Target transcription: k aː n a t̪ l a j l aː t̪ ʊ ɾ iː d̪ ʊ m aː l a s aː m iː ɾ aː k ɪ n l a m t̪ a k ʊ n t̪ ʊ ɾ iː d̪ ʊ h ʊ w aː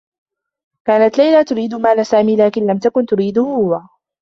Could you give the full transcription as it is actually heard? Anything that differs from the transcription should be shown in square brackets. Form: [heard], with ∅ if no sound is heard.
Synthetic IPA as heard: k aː n a t̪ l a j l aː t̪ ʊ ɾ iː d̪ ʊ m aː l a s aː m iː [l] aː k ɪ n l a m t̪ a k ʊ n t̪ ʊ ɾ iː d̪ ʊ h ʊ w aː